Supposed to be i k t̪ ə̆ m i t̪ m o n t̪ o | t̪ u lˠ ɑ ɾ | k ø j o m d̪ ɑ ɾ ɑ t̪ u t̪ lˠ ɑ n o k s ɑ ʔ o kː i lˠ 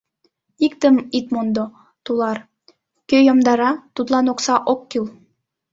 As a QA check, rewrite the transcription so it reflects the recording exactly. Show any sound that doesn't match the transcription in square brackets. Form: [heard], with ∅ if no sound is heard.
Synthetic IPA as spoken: i k t̪ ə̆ m i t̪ m o n [d̪] o | t̪ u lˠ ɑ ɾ | k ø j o m d̪ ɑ ɾ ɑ t̪ u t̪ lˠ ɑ n o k s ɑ ʔ o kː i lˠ